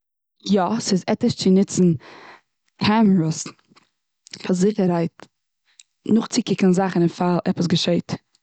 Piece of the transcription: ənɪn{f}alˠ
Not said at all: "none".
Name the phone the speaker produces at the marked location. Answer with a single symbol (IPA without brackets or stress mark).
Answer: f